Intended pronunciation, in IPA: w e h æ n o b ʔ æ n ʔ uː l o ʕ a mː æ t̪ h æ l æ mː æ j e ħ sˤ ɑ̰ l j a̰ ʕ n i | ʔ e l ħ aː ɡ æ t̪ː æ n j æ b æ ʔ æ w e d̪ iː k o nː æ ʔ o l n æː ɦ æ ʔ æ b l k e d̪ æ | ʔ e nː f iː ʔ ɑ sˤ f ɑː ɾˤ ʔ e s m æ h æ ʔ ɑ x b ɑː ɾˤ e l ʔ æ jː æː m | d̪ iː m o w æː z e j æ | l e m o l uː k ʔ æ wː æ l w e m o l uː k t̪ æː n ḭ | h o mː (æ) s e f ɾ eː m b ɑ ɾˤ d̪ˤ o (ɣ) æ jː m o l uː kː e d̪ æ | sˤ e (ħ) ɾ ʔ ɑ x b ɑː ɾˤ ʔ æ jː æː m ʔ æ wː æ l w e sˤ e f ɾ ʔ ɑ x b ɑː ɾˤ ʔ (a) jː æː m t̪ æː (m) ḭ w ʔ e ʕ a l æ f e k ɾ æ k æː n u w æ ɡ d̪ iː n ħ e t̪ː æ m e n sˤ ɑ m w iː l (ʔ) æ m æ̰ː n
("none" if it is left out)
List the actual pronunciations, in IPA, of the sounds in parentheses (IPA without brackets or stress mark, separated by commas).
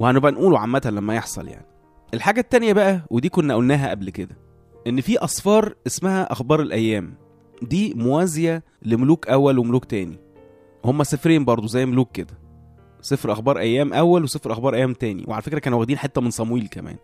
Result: æ, z, f, æ, n, k